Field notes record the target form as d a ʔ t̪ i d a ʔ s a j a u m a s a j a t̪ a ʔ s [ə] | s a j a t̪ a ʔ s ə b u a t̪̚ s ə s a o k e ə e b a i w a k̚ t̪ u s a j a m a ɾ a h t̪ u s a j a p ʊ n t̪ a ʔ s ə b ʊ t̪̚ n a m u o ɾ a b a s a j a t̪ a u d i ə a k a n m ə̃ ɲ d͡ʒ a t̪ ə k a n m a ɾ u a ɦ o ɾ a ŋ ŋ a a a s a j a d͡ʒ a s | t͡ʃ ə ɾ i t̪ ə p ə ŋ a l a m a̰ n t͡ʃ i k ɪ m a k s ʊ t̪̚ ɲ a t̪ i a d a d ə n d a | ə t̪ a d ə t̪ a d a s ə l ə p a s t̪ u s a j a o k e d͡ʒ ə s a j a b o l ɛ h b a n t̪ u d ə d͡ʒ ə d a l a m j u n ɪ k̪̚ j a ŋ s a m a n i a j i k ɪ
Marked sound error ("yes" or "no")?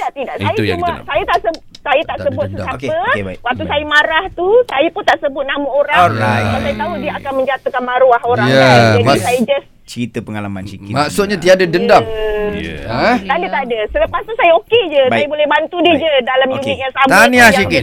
no